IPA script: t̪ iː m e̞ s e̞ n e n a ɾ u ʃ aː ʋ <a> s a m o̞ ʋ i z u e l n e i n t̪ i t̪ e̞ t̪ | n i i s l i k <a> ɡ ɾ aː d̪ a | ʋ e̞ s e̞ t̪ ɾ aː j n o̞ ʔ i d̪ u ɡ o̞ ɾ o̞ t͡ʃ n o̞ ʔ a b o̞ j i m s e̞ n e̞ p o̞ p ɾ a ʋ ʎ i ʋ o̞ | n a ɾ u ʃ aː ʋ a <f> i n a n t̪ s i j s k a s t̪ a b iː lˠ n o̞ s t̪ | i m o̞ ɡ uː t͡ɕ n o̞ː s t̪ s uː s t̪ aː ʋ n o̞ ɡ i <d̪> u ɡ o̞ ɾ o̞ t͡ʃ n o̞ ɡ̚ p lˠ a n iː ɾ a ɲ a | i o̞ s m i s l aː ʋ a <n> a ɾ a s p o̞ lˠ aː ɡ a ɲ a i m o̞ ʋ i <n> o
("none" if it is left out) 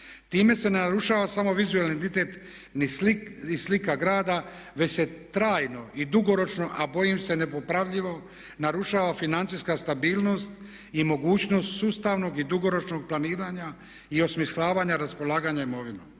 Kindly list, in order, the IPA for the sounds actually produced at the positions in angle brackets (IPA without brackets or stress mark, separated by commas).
a, a, f, d̪, ɲ, n